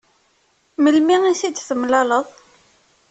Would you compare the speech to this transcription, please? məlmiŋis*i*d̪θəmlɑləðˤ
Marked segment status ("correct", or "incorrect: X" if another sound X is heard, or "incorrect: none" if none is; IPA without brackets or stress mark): correct